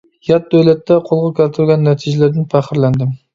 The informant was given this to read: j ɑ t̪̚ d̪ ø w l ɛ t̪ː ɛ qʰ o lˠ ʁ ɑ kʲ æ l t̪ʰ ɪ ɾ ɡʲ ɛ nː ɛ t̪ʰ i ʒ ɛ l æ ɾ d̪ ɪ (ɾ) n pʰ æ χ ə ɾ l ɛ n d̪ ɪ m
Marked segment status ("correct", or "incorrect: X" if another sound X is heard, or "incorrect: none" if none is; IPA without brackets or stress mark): incorrect: none